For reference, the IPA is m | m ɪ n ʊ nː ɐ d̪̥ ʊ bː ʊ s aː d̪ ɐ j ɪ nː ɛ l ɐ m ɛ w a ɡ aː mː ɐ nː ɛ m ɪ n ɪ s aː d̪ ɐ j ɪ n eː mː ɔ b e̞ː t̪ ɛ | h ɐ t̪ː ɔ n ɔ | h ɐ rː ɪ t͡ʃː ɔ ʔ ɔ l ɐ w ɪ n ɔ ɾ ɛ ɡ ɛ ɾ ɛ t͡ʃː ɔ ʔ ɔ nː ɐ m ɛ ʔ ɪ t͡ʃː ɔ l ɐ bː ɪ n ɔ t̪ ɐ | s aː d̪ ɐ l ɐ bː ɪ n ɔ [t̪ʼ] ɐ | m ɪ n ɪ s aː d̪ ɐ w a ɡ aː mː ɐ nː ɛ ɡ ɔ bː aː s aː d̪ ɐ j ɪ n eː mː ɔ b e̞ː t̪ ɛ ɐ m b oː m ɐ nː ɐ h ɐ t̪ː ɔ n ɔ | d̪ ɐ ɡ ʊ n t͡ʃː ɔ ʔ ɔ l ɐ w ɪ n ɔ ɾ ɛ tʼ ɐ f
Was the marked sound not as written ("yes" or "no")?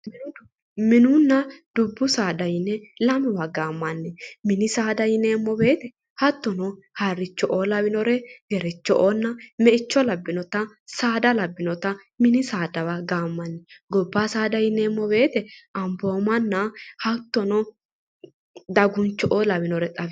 yes